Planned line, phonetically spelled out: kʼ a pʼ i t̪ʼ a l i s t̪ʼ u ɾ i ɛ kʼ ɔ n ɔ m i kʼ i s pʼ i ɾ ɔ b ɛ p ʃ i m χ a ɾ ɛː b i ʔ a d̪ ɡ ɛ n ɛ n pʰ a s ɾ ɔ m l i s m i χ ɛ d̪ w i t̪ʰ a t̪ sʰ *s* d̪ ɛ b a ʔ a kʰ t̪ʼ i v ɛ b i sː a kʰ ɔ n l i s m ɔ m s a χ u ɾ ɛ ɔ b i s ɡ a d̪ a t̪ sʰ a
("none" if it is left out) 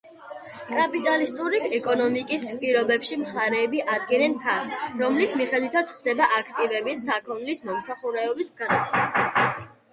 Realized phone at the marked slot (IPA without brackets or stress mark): χ